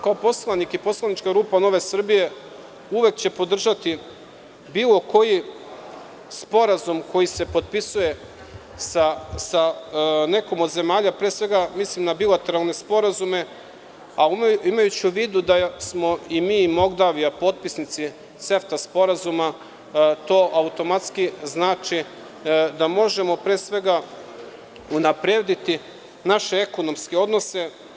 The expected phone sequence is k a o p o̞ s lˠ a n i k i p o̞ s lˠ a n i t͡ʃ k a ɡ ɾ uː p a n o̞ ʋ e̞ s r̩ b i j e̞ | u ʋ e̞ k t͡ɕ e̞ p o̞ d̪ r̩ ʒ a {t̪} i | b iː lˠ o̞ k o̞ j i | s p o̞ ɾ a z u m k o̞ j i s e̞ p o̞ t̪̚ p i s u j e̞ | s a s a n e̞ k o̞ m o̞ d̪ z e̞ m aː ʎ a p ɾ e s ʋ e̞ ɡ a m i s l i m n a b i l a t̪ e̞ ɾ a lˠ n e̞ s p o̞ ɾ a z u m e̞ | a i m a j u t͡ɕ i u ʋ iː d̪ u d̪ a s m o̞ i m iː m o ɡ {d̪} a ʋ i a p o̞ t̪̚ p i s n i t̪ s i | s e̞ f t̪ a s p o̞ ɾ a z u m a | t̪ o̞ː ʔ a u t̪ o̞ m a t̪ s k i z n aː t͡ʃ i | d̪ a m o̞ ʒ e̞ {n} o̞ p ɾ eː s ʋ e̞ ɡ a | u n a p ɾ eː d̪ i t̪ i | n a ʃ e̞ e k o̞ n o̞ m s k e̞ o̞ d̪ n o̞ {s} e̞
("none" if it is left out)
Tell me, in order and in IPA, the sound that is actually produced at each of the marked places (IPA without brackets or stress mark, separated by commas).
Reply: t̪, d̪, m, s